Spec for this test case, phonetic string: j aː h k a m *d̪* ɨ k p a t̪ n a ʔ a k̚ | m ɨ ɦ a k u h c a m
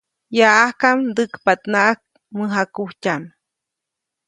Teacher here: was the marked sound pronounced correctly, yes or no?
yes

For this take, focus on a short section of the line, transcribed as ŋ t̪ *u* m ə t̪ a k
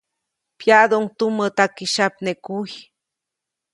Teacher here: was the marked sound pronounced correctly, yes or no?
yes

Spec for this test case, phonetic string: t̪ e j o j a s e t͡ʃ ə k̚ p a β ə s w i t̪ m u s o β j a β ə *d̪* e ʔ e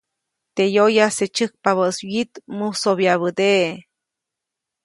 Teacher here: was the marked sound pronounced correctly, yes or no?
yes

